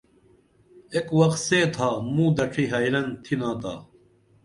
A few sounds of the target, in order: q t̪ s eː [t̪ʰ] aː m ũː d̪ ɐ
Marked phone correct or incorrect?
correct